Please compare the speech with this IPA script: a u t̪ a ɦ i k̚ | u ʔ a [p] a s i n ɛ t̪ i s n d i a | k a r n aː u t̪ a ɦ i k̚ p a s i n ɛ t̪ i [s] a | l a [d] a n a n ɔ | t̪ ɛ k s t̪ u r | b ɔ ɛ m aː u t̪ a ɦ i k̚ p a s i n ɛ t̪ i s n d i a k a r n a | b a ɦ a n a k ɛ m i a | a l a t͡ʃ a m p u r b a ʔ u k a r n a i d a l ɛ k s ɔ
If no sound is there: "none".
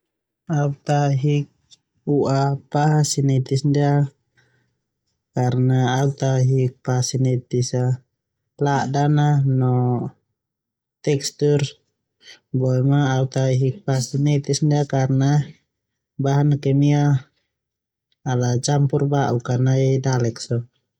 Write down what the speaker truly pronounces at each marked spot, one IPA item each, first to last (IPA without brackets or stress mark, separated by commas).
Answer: p, s, d